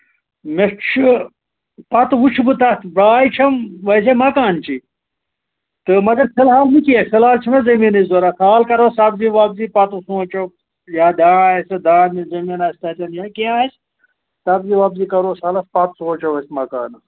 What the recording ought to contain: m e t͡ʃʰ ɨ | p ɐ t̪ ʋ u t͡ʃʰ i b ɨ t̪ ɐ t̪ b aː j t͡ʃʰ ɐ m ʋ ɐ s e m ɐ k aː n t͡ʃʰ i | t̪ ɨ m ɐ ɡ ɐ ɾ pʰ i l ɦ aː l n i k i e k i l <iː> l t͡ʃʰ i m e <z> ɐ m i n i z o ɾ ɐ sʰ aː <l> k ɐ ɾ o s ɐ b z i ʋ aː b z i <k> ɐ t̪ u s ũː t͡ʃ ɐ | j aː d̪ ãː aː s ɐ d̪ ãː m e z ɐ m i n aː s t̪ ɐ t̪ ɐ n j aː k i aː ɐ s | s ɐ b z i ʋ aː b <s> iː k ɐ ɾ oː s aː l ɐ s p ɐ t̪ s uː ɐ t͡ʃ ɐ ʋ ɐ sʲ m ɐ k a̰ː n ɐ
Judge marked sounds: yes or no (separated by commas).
no, yes, yes, no, no